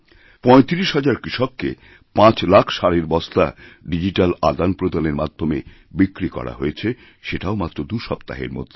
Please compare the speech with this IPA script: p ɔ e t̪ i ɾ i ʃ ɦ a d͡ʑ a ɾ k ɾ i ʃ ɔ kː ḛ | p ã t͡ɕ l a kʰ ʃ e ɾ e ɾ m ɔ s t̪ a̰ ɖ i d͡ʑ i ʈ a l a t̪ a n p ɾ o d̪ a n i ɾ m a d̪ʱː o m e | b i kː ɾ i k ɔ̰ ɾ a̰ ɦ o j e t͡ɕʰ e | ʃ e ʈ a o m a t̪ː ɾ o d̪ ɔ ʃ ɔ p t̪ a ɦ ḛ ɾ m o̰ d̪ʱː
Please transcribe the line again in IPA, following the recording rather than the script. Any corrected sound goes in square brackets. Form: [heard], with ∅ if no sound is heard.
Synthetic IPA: p ɔ e t̪ i ɾ i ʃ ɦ a d͡ʑ a ɾ k ɾ i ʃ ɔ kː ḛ | p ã t͡ɕ l a kʰ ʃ [a] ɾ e ɾ [b] ɔ s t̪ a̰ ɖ i d͡ʑ i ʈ a l a [d̪] a n p ɾ o d̪ a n [e] ɾ m a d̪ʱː o m e | b i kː ɾ i k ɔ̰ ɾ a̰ ɦ o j e t͡ɕʰ e | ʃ e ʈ a o m a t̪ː ɾ o d̪ [u] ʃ ɔ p t̪ a ɦ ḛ ɾ m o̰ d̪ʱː